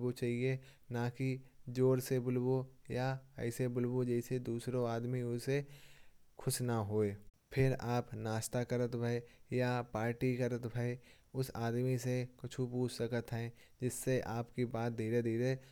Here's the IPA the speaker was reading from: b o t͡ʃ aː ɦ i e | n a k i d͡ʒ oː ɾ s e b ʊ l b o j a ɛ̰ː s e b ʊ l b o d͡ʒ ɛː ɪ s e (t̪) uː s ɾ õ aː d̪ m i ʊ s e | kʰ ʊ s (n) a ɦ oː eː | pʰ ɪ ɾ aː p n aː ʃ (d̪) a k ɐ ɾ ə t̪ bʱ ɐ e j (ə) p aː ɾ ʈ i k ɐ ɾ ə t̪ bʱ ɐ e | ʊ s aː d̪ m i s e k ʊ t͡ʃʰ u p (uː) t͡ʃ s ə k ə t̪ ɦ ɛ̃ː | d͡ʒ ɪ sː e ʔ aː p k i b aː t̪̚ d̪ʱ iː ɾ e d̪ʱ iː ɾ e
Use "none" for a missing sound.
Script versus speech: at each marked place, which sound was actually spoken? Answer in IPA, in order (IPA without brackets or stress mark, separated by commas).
d̪, n, t̪, a, uː